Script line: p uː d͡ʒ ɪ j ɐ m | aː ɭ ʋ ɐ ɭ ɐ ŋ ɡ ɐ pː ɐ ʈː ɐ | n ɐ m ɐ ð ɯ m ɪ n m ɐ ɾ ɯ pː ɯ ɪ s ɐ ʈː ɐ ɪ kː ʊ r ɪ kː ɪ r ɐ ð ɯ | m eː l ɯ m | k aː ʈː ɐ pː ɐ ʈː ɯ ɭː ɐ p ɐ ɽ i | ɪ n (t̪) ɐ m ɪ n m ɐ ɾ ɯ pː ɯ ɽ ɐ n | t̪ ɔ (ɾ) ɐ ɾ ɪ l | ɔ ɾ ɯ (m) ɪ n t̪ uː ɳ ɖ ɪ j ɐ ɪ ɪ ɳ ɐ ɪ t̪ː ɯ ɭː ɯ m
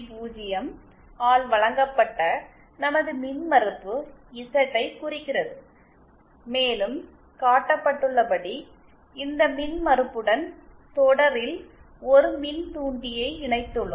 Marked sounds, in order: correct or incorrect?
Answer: incorrect, incorrect, correct

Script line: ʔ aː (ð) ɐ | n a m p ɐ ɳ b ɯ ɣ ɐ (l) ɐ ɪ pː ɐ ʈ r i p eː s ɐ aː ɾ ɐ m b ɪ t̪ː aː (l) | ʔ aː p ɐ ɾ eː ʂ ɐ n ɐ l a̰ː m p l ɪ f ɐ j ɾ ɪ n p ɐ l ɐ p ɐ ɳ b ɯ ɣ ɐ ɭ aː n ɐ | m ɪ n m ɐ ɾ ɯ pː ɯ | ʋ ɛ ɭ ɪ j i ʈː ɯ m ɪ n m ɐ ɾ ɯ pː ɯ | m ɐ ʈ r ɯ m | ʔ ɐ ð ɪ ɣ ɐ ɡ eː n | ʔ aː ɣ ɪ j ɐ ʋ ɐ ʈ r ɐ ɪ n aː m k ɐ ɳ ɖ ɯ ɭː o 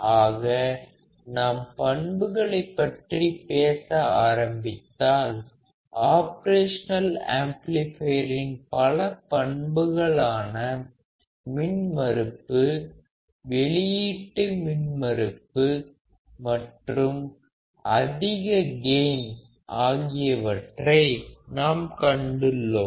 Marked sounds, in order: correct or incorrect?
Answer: incorrect, incorrect, correct

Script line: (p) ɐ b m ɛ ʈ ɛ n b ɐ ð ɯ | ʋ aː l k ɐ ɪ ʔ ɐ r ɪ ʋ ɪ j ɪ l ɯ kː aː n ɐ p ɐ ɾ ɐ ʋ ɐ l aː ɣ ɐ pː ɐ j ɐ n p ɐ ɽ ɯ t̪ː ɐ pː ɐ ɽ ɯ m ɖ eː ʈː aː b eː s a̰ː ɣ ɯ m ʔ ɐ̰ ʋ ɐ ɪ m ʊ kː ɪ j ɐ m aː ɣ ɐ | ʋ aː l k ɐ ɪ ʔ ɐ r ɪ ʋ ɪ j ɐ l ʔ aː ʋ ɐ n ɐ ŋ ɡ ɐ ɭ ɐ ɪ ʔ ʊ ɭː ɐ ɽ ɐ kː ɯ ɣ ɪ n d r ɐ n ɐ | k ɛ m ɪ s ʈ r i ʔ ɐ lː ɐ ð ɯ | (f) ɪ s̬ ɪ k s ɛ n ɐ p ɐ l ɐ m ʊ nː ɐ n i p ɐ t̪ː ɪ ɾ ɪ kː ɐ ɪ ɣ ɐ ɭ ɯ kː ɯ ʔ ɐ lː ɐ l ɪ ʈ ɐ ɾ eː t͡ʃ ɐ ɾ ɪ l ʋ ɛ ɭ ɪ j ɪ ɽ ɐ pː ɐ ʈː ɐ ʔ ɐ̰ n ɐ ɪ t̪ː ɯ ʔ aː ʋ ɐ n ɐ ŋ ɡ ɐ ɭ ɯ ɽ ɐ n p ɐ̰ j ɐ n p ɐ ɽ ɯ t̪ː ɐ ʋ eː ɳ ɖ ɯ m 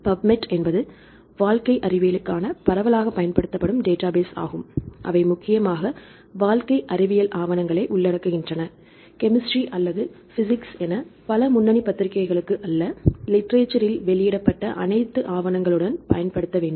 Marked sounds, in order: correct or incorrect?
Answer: correct, correct

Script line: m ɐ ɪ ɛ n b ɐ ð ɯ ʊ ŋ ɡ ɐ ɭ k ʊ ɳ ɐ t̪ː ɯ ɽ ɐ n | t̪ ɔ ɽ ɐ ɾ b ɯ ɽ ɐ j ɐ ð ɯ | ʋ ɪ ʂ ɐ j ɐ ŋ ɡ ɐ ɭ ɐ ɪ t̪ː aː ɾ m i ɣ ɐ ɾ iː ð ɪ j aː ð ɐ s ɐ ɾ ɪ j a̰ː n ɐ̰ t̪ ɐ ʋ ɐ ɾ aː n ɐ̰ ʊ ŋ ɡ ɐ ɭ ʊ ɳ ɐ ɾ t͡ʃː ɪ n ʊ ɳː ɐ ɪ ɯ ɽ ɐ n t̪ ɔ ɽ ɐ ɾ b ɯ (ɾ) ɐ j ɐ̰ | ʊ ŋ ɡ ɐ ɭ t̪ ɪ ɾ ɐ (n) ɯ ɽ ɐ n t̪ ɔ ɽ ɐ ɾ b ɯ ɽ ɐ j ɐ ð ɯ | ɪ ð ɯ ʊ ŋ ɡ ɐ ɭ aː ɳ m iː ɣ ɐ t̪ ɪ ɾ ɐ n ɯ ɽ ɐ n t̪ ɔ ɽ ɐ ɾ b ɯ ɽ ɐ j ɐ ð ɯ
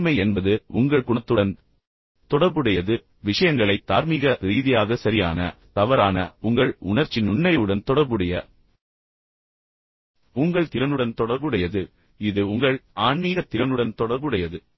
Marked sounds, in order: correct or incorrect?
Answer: incorrect, correct

